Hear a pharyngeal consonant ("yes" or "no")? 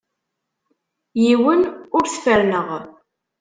no